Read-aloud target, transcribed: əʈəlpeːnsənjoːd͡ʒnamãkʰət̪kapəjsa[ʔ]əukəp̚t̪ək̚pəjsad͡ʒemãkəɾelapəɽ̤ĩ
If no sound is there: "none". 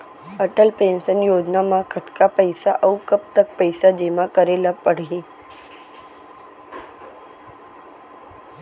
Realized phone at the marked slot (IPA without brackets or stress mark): ʔ